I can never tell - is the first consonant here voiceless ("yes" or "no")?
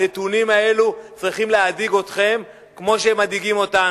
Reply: yes